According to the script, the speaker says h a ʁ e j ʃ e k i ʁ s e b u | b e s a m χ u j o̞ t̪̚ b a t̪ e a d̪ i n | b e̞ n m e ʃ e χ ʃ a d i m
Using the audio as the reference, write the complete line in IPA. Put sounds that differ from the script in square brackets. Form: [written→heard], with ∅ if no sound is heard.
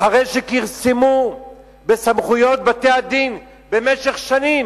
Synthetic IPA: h a ʁ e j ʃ e k i ʁ s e [b→m] u | b e s a m χ u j o̞ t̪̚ b a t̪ e a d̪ i n | b e̞ [n→∅] m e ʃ e χ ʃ a [d→n] i m

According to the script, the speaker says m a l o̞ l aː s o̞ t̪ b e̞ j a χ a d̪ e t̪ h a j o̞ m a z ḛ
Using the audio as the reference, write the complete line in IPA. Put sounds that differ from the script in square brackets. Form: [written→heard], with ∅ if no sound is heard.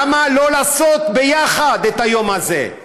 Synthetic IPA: m a l o̞ l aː s o̞ t̪ b e̞ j a χ a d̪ e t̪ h a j o̞ m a z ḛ

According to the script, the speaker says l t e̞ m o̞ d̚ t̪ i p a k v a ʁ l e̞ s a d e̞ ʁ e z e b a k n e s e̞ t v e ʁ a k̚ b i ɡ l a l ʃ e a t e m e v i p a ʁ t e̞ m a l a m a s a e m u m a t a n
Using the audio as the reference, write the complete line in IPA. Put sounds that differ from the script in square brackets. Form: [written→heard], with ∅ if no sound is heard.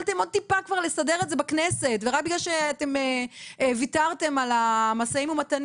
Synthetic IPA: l t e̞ m o̞ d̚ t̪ i p a k v a ʁ l e̞ s a d e̞ ʁ e z e b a k n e s e̞ t v e ʁ a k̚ b i ɡ l a l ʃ e a t e m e v i [p→t] a ʁ t e̞ m a l a m a s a [e→i] m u m a t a n

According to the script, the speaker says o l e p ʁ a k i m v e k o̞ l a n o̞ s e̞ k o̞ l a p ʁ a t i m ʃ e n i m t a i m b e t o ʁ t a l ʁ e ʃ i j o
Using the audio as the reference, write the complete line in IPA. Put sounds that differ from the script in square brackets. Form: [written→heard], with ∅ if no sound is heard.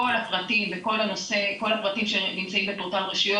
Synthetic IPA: o l [e→a] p ʁ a [k→t] i m v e k o̞ l a n o̞ s e̞ k o̞ l a p ʁ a t i m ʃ e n i m [t→t͡s] a i m b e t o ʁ t a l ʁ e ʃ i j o

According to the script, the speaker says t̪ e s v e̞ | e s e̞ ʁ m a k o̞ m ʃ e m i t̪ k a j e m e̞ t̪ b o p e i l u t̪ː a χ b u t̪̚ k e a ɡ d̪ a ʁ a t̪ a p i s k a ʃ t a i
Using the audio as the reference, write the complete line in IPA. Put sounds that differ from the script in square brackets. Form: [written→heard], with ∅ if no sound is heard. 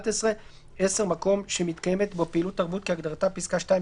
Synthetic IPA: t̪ e s [v→ʁ] e̞ | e s e̞ ʁ m a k o̞ m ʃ e m i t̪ k a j e m e̞ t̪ b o p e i l u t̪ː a [χ→ʁ] b u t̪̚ k e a ɡ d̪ a ʁ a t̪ a p i s k a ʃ t a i

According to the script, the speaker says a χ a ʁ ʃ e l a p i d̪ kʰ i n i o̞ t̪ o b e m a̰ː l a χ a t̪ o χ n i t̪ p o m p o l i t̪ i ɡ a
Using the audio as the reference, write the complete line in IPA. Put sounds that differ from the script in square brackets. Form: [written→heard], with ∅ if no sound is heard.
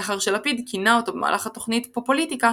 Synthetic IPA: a χ a ʁ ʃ e l a p i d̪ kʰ i n [i→a] o̞ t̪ o b e m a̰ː l a χ a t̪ o χ n i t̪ p o [m→∅] p o l i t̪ i [ɡ→k] a

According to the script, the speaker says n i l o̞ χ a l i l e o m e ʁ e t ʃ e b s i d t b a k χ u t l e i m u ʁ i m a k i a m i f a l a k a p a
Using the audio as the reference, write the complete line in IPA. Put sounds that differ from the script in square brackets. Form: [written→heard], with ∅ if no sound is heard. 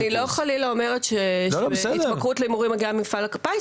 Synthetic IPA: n i l o̞ χ a l i l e o m e ʁ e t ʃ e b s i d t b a k [χ→ʁ] u t l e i m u ʁ i m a [k→ɡ] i a m i f a l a k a p a

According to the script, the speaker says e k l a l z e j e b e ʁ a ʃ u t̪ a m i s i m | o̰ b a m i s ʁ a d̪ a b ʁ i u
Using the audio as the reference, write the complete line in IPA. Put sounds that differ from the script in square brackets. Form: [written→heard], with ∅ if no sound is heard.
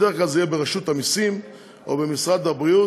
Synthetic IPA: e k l a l z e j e b e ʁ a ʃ u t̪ a m i s i m | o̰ b [a→e] m i s ʁ a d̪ a b ʁ i u

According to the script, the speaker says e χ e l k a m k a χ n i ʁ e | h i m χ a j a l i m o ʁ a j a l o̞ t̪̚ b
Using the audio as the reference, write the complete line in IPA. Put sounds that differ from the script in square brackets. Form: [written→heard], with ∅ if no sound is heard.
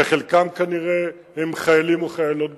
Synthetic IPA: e χ e l k a m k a [χ→∅] n i ʁ e | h [i→e] m χ a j a l i m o [ʁ→χ] a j a l o̞ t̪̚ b

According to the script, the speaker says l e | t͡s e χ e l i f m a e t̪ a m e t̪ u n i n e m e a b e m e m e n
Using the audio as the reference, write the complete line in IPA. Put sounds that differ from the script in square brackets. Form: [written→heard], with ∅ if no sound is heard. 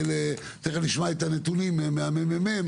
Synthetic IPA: l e | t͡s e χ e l i [f→ʃ] m a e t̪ a [m→n] e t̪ u n i [n→m] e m e a [b→m] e m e m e [n→m]

